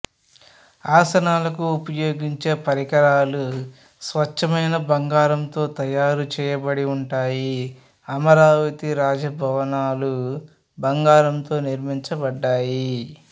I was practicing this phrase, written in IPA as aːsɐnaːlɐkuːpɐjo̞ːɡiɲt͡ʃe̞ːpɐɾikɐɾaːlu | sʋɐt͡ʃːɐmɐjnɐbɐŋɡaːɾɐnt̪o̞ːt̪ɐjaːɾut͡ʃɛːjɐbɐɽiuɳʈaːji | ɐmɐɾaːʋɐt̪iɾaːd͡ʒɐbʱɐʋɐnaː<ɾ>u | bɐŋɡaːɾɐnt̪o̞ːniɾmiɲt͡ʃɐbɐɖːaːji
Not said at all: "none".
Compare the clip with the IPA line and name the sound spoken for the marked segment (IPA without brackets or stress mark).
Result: l